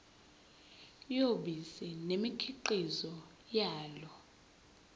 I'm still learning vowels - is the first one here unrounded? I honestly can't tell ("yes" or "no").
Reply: no